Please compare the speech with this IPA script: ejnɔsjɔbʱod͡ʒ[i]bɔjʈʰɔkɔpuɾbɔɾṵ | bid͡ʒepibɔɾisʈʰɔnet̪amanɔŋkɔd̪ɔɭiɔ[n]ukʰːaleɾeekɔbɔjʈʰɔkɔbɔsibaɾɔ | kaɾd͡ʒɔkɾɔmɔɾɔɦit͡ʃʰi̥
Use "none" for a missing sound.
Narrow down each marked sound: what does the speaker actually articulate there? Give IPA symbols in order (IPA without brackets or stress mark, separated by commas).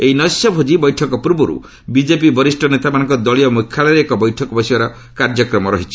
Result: i, m